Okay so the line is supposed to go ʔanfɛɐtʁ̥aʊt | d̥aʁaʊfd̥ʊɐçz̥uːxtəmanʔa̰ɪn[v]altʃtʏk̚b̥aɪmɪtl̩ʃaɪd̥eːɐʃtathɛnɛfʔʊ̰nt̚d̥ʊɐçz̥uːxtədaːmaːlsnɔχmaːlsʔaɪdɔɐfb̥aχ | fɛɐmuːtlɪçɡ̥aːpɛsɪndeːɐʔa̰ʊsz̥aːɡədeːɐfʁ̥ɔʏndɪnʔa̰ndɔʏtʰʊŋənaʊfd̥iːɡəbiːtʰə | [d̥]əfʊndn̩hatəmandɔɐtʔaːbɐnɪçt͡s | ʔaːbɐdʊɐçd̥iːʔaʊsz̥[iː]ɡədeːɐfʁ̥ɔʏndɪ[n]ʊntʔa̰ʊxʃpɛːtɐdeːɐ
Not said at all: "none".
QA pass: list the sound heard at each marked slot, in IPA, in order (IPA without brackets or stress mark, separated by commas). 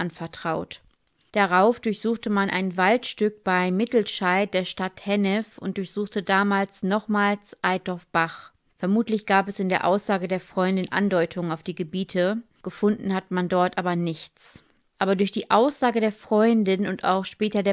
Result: v, ɡ̥, aː, n